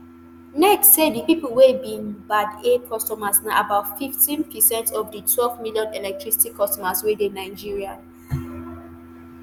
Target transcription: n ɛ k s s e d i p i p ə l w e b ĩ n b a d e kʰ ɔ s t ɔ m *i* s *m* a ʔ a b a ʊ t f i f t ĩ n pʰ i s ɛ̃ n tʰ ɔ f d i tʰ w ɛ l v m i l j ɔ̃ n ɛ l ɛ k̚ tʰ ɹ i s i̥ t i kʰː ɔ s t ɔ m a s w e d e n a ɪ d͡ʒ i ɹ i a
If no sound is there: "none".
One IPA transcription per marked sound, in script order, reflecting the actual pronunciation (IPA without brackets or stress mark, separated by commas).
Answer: a, n